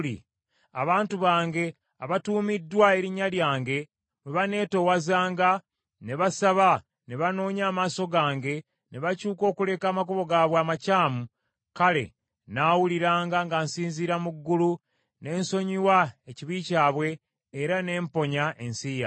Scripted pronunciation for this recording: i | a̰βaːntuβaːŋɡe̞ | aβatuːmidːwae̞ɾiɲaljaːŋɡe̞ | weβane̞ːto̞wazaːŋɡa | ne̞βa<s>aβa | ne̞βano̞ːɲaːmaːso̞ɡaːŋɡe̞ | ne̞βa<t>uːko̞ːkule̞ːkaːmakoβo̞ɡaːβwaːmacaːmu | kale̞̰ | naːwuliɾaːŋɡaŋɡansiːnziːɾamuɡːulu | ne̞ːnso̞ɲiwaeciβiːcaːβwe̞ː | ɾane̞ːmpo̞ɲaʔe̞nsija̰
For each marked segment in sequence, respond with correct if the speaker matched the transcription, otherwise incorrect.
correct, incorrect

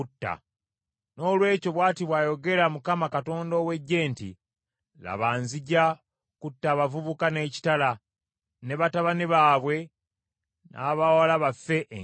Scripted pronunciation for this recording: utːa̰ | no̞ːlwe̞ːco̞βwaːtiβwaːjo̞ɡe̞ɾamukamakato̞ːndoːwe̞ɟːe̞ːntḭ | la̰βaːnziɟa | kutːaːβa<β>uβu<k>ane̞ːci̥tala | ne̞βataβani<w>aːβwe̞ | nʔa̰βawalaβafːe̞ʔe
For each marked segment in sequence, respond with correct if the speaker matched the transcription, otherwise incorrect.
incorrect, correct, incorrect

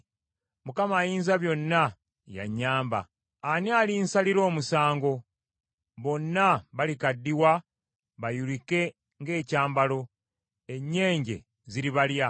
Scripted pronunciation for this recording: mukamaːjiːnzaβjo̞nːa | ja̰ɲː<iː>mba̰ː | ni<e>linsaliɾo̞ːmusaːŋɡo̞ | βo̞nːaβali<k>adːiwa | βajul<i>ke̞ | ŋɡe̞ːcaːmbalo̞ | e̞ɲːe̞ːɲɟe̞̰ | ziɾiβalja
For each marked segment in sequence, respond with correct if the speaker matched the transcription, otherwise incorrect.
incorrect, incorrect, correct, correct

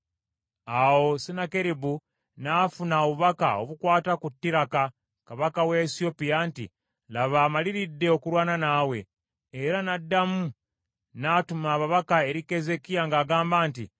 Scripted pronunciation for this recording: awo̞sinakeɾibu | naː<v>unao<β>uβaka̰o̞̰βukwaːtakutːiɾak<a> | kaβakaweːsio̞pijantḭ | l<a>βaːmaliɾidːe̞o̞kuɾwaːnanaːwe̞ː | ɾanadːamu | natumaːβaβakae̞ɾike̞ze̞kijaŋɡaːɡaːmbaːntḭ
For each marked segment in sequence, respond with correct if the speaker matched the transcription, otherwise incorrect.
incorrect, correct, correct, correct

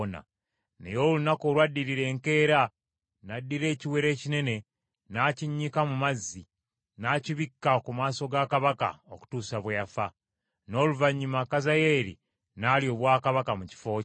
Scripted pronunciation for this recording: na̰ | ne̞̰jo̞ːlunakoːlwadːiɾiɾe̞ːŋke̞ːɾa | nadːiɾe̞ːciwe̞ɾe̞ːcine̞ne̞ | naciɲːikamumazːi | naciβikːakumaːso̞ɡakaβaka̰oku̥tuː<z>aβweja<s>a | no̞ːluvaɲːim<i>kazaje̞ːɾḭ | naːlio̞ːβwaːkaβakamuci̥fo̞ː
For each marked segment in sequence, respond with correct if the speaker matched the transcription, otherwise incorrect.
incorrect, incorrect, incorrect

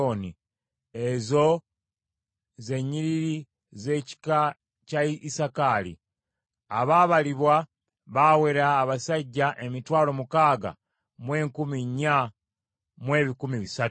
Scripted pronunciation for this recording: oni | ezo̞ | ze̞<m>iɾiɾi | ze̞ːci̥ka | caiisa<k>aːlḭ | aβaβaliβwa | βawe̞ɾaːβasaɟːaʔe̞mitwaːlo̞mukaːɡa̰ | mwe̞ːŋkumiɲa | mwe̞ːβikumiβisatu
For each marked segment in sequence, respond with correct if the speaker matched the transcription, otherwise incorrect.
incorrect, correct

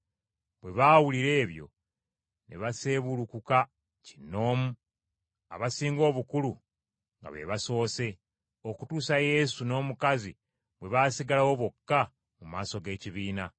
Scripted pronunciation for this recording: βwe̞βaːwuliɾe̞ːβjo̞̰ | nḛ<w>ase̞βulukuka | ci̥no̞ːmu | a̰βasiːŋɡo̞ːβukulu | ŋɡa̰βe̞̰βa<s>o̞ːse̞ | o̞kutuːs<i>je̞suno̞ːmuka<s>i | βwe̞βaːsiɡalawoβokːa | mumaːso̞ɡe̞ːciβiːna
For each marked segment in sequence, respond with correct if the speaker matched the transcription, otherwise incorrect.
incorrect, correct, incorrect, incorrect

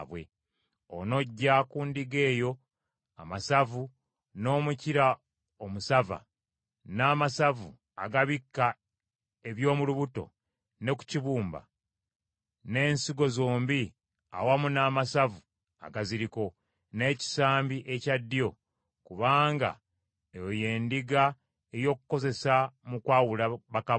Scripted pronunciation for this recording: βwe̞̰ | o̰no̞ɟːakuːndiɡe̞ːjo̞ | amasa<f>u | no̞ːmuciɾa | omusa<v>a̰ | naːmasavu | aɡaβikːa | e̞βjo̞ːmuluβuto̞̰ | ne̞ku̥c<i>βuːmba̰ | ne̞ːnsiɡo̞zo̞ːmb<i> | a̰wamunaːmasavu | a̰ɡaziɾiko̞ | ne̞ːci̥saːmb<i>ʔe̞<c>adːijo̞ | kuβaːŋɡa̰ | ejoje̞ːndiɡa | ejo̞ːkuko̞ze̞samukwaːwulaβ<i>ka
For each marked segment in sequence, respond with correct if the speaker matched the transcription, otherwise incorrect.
incorrect, correct, correct, correct, correct, correct, incorrect

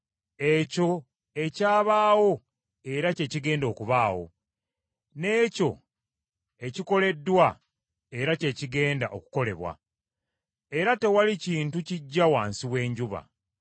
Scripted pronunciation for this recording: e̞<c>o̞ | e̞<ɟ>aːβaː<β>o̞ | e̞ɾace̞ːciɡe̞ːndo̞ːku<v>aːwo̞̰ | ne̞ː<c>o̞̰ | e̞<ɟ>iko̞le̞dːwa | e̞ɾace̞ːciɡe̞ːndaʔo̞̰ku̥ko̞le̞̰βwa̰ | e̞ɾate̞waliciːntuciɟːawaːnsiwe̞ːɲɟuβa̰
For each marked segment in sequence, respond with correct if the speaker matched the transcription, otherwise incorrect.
correct, incorrect, incorrect, incorrect, correct, incorrect

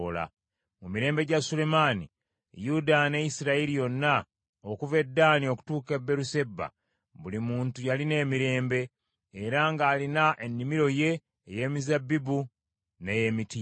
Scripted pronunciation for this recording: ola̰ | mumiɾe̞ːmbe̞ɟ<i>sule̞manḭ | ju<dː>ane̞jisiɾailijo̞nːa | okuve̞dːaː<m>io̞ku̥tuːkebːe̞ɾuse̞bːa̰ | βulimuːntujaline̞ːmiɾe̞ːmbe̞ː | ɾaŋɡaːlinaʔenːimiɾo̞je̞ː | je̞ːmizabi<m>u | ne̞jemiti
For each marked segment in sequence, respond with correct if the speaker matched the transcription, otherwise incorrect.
incorrect, incorrect, incorrect, incorrect

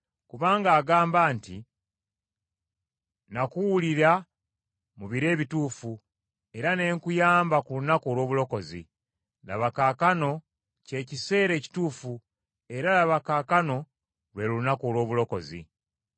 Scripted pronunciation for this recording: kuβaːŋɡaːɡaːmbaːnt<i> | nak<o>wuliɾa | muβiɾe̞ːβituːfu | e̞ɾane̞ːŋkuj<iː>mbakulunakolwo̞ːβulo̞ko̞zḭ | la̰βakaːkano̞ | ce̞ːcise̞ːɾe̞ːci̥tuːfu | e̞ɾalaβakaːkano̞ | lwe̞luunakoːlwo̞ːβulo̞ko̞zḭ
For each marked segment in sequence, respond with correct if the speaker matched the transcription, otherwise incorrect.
correct, incorrect, incorrect

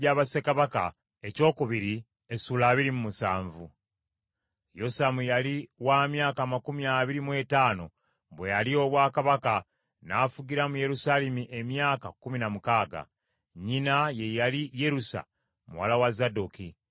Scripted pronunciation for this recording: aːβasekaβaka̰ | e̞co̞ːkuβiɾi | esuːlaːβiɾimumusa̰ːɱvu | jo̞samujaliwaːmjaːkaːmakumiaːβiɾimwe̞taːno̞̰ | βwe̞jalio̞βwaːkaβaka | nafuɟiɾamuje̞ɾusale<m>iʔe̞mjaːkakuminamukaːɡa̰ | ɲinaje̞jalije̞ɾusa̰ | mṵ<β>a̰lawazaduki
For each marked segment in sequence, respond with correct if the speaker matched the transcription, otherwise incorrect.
correct, incorrect

